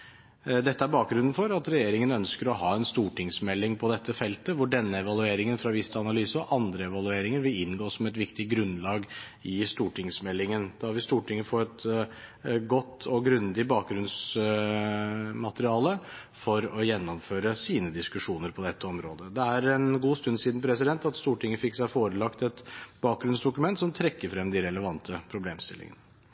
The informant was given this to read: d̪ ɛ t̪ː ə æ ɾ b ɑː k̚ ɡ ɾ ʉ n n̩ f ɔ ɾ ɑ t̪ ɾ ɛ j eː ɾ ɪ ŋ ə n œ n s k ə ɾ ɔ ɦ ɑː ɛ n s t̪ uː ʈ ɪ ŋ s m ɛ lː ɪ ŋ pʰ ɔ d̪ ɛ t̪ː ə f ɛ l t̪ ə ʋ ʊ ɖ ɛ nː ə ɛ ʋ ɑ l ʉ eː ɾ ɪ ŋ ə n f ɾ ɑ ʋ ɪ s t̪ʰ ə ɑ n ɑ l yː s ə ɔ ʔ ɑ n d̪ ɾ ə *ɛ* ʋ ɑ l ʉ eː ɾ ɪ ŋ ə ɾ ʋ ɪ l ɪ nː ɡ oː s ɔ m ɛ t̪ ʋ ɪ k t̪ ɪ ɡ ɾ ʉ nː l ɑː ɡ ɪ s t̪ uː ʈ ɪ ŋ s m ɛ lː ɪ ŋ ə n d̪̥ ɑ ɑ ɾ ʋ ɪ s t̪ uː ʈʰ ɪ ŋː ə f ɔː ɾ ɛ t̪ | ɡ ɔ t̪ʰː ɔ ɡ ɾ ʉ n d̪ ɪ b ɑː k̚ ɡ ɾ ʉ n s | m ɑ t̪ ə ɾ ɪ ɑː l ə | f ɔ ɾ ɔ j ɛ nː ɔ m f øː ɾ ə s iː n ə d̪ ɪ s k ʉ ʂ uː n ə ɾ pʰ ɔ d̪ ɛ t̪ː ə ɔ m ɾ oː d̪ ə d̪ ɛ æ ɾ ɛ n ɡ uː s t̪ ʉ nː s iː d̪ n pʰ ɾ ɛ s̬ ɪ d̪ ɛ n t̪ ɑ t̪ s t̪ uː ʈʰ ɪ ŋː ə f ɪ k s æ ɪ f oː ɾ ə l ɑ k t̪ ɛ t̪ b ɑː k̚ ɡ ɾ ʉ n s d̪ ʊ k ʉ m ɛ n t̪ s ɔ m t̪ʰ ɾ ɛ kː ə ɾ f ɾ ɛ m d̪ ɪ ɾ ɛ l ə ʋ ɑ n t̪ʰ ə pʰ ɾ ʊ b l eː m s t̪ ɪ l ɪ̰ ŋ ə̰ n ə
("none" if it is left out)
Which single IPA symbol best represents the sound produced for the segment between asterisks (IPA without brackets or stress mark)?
ɛ